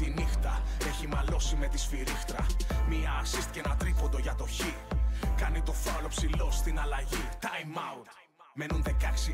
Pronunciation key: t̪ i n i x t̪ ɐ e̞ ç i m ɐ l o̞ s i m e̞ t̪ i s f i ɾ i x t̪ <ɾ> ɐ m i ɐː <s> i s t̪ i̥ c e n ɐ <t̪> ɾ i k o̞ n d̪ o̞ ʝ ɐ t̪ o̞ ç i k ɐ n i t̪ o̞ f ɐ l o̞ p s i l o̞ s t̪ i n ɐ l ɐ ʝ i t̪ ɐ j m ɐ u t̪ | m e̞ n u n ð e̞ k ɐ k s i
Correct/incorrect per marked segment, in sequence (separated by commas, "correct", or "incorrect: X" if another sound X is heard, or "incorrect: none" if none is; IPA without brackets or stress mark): correct, correct, correct